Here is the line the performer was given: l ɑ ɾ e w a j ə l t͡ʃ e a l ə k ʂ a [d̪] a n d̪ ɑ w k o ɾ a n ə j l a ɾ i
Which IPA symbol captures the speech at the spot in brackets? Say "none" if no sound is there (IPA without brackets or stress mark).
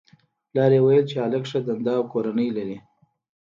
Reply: d̪